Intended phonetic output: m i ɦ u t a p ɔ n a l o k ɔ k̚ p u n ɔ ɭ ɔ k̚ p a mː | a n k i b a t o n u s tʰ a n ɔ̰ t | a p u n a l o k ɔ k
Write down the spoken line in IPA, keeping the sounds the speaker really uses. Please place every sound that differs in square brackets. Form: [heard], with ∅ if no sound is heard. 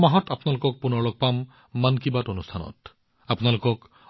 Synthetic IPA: m [a] ɦ [ɔ] t a p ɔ n a l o k ɔ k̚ p u n ɔ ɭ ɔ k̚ p a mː | a n k i b a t o n u s tʰ a n ɔ̰ t | a p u n a l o k ɔ k